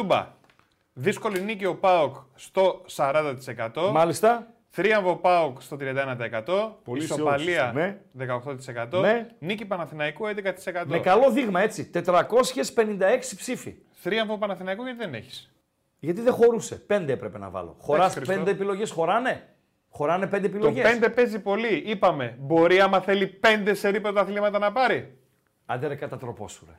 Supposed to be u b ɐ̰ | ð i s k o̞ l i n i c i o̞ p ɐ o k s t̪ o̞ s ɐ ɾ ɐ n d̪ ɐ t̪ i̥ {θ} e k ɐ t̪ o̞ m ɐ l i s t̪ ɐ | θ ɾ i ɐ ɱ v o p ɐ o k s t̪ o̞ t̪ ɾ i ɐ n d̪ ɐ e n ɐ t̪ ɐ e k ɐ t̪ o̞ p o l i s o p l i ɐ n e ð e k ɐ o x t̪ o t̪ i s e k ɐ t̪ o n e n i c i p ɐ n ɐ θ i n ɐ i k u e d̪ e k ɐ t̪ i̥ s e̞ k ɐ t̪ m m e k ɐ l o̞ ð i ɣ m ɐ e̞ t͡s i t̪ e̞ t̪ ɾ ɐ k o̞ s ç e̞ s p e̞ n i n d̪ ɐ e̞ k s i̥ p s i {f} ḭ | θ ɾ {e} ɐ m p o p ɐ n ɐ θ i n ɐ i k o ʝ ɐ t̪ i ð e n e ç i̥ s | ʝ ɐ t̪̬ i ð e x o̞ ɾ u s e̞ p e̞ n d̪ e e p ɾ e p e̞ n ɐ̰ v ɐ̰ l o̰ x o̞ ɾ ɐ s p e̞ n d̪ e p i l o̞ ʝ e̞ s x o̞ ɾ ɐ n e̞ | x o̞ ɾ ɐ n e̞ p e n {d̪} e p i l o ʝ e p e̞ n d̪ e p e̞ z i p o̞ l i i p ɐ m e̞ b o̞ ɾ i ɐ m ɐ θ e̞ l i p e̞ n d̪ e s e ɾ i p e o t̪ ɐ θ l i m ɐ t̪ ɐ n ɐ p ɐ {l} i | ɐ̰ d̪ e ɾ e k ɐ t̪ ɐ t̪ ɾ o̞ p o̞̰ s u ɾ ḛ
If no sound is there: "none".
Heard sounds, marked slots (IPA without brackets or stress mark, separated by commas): s, f, i, d̪, ɾ